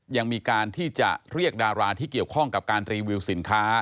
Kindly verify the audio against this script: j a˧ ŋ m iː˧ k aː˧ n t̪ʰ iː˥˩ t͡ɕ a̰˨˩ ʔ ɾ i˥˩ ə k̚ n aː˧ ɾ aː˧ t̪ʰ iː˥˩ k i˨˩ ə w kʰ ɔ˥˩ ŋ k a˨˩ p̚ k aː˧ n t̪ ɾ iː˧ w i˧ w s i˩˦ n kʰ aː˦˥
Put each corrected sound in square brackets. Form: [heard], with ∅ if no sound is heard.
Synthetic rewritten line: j a˧ ŋ m iː˧ k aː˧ n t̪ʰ iː˥˩ t͡ɕ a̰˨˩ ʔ ɾ i˥˩ ə k̚ [d] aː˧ ɾ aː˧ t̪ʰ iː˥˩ k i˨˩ ə w kʰ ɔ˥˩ ŋ k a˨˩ p̚ k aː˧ n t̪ ɾ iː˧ w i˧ w s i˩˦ n kʰ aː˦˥

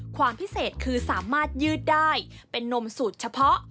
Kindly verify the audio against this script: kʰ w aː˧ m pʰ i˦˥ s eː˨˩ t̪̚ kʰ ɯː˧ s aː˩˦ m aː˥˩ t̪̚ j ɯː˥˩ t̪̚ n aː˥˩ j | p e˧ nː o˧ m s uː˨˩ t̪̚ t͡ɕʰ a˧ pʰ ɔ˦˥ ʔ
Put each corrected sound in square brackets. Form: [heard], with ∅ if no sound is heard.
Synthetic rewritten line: kʰ w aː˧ m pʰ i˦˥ s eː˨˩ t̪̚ kʰ ɯː˧ s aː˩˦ m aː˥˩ t̪̚ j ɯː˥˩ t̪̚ [d] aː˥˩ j | p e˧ nː o˧ m s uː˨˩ t̪̚ t͡ɕʰ a˧ pʰ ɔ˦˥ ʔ

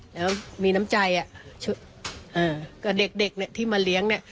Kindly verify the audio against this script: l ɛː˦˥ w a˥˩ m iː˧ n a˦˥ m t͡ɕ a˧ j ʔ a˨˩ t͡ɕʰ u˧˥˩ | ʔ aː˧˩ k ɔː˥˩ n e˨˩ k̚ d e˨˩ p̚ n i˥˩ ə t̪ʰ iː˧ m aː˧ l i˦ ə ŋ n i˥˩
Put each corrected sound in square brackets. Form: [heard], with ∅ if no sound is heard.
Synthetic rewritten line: l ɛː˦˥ w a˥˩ m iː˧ n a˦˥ m t͡ɕ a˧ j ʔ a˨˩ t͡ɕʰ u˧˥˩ | ʔ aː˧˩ k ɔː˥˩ [d] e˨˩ k̚ d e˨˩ [k̚] n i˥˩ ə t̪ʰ [iː˥˩] m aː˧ l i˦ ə ŋ n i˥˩

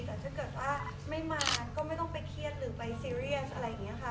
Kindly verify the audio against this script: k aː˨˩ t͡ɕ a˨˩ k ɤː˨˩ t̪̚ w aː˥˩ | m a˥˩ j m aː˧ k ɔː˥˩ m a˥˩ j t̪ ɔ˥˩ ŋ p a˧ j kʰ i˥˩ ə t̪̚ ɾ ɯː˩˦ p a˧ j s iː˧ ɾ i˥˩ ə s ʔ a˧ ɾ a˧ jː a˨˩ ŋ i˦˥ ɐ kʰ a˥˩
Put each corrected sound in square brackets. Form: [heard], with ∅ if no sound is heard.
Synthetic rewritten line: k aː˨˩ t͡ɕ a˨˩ k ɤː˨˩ t̪̚ w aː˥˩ | m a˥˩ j m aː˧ k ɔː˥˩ m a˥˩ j t̪ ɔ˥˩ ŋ p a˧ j kʰ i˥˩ ə t̪̚ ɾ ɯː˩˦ p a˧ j s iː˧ ɾ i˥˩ ə s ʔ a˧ ɾ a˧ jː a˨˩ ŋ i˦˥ ɐ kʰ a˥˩

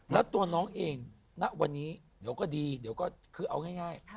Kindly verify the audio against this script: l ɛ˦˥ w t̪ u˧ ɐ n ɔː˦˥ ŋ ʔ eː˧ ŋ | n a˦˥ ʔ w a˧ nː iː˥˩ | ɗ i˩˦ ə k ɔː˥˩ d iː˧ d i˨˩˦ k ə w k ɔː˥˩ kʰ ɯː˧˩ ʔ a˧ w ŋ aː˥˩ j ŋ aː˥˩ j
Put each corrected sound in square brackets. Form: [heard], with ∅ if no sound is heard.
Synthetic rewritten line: l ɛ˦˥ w t̪ u˧ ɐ n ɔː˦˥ ŋ ʔ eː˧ ŋ | n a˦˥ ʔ w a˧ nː [iː˦˥] | [d] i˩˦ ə k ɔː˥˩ d iː˧ d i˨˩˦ [∅] ə w k ɔː˥˩ kʰ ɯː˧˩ ʔ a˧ w ŋ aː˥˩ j ŋ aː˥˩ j

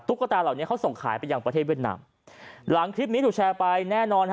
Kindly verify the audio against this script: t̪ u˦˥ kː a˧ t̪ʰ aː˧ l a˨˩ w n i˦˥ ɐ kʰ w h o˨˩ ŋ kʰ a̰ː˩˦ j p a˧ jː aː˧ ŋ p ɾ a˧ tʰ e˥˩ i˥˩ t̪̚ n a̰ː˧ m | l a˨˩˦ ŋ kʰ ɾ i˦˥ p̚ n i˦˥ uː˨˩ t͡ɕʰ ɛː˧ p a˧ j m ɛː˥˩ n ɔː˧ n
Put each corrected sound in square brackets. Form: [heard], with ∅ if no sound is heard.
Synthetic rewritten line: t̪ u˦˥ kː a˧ [t̪] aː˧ l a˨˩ w n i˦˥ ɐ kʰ w [s] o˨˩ ŋ kʰ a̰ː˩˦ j p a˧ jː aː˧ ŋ p ɾ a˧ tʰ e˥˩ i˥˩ t̪̚ n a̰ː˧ m | l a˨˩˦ ŋ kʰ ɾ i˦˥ p̚ n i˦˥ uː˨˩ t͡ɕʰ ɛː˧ p a˧ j [n] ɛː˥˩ n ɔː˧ n

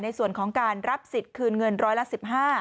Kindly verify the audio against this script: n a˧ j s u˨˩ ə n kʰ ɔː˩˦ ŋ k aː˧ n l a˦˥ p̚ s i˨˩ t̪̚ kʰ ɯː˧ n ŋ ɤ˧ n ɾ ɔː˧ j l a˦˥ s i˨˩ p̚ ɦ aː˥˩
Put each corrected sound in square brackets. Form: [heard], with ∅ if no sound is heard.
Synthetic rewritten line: n a˧ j s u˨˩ ə n kʰ ɔː˩˦ ŋ k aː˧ n [ɾ] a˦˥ p̚ s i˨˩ t̪̚ kʰ ɯː˧ n ŋ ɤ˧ n ɾ [ɔː˦˥] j l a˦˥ s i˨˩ p̚ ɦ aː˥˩

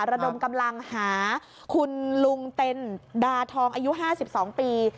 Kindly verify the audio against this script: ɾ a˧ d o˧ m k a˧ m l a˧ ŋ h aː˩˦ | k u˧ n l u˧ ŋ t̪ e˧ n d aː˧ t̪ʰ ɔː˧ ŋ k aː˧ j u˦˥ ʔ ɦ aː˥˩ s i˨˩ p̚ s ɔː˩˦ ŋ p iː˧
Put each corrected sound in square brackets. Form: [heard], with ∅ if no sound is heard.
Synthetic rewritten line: ɾ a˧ d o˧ m k a˧ m l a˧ ŋ h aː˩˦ | [kʰ] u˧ n l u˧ ŋ t̪ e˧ n d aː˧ t̪ʰ ɔː˧ ŋ [ʔ] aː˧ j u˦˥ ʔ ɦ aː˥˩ s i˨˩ p̚ s ɔː˩˦ ŋ p iː˧

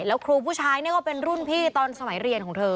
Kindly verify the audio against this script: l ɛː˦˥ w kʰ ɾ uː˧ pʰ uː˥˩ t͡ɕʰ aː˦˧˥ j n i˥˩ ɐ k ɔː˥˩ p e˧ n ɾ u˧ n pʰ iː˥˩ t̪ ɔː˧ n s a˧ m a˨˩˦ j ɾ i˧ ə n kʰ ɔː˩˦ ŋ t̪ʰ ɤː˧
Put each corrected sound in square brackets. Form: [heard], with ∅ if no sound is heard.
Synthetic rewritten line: l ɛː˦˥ w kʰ ɾ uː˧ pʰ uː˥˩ t͡ɕʰ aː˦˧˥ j n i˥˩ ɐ k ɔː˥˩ p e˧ n ɾ [u˥˩] n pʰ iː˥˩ t̪ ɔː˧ n s a˧ m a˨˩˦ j ɾ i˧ ə n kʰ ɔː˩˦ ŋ t̪ʰ ɤː˧

